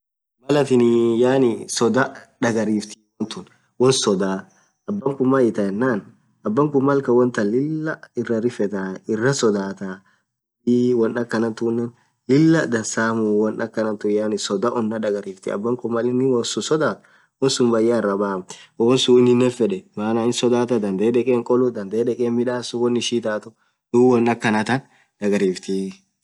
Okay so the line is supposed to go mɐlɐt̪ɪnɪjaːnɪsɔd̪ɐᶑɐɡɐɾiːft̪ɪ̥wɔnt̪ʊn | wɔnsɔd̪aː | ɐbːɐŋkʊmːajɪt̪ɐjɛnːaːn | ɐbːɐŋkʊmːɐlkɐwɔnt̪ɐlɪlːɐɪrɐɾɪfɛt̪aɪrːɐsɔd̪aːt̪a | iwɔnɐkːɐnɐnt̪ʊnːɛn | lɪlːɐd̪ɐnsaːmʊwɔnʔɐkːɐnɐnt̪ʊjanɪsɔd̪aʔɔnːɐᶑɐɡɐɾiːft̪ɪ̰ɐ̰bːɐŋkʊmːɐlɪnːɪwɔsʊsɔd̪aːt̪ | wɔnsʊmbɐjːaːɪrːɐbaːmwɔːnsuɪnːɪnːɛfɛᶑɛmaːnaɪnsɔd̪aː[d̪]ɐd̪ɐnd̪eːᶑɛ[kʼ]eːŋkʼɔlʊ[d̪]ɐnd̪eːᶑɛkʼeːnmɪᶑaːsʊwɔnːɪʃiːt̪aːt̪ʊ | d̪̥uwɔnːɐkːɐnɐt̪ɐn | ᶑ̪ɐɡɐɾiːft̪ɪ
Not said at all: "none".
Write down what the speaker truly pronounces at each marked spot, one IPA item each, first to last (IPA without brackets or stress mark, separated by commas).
t̪, kʼ, d̪